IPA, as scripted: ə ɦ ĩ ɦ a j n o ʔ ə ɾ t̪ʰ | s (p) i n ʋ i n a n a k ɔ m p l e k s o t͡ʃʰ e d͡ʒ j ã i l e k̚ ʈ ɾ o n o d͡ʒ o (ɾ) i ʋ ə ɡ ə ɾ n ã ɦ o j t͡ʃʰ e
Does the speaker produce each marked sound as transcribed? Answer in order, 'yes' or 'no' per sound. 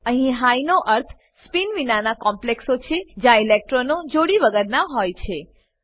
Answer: yes, no

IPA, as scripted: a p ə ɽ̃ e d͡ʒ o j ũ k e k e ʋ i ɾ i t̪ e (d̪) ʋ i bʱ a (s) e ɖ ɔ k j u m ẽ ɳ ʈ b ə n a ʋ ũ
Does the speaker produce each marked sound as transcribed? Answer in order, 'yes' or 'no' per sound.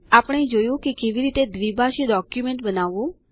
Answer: yes, no

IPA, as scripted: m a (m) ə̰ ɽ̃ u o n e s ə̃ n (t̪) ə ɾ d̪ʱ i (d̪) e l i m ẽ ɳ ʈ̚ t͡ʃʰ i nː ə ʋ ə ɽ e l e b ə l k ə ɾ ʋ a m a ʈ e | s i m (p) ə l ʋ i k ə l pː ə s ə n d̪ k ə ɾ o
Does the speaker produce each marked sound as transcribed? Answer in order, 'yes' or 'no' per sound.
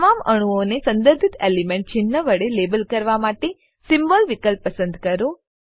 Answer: yes, no, no, no

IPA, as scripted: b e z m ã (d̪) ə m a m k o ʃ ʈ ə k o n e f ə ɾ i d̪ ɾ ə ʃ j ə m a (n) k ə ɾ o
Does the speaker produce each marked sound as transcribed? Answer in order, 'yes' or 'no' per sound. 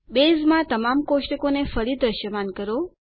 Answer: no, yes

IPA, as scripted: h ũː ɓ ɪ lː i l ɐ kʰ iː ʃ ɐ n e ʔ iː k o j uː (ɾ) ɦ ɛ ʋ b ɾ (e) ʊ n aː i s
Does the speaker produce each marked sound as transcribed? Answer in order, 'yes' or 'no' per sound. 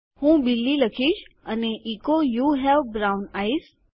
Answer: no, no

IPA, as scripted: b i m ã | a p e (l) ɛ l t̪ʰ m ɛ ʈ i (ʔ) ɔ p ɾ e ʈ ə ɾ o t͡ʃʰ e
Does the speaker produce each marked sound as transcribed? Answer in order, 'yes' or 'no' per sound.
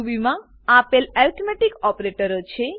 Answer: yes, no

